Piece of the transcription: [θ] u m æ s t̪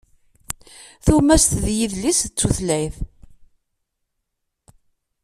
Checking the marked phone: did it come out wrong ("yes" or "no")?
no